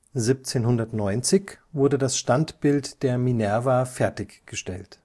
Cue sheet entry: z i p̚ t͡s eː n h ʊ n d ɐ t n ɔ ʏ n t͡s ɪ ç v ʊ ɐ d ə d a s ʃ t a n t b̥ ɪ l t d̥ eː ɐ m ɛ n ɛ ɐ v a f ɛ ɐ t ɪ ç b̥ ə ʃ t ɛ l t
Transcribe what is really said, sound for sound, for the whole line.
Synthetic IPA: z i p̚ t͡s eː n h ʊ n d ɐ t n ɔ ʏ n t͡s ɪ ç v ʊ ɐ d ə d a s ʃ t a n t b̥ ɪ l t d̥ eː ɐ m i n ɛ ɐ v a f ɛ ɐ t ɪ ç ɡ̥ ə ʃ t ɛ l t